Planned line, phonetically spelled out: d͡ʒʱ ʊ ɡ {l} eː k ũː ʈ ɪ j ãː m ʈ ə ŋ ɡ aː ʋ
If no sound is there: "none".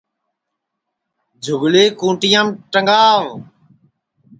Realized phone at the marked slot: l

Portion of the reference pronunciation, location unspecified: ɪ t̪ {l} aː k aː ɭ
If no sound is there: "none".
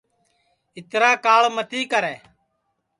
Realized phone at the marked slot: ɾ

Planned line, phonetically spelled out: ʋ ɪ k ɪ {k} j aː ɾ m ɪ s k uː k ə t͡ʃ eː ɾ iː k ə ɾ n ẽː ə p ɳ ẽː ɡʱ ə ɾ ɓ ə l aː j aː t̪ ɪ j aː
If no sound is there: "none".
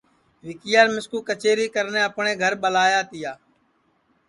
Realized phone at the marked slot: none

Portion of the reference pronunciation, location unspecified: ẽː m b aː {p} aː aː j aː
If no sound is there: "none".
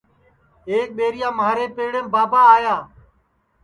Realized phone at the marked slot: b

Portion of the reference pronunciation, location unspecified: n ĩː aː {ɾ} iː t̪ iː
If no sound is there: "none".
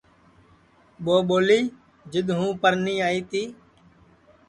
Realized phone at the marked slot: none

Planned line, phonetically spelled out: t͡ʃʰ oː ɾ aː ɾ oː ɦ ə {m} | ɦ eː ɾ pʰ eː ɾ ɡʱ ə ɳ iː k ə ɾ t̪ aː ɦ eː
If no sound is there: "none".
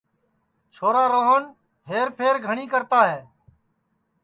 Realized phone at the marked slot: n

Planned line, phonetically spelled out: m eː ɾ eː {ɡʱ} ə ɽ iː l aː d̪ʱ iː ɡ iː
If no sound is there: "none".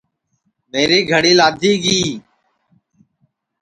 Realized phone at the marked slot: ɡʱ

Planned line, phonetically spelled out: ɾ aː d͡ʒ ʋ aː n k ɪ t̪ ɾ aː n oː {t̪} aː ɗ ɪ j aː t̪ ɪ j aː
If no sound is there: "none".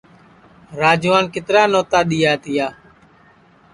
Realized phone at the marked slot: t̪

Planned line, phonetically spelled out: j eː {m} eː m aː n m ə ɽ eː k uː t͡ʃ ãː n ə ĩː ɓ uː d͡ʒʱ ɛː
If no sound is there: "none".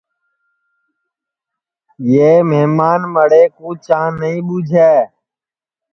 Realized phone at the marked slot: m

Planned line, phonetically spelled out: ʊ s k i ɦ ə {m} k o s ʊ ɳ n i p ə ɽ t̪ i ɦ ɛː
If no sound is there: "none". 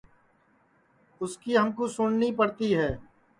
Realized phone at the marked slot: m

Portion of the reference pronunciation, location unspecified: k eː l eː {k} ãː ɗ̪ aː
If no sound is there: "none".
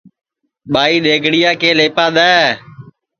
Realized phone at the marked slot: p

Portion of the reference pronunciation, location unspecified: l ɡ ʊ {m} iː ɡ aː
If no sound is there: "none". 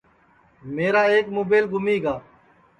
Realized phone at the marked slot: m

